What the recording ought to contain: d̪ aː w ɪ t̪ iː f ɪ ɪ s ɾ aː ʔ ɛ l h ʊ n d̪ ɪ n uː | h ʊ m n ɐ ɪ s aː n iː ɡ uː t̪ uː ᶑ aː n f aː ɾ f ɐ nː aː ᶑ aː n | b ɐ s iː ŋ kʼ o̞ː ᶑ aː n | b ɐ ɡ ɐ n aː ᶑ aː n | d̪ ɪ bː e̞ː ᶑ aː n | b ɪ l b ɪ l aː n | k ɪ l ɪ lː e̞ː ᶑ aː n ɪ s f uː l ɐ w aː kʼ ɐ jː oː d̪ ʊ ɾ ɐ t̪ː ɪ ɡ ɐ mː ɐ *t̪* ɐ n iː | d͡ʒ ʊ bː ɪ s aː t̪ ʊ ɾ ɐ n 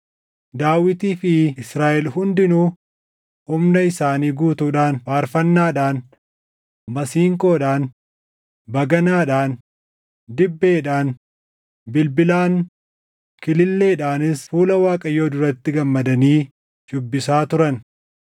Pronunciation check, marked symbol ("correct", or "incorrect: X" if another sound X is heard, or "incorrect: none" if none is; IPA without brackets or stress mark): incorrect: d̪